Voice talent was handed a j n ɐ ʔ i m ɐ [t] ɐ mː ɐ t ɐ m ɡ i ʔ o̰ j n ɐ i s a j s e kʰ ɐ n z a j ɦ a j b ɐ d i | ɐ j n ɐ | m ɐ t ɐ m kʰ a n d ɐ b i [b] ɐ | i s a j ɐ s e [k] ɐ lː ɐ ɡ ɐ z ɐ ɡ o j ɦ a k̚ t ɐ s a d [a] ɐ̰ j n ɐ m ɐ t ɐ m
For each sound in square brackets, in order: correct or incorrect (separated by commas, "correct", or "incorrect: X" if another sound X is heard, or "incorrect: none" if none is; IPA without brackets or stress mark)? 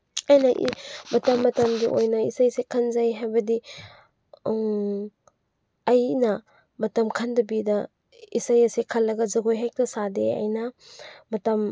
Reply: correct, incorrect: d, incorrect: kʰ, incorrect: e